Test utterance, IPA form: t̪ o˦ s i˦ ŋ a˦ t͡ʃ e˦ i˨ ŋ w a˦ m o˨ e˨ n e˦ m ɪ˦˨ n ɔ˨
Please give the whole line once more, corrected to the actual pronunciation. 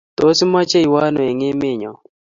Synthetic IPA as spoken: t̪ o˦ s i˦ m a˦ t͡ʃ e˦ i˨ w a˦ n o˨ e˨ ŋ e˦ m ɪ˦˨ ɲ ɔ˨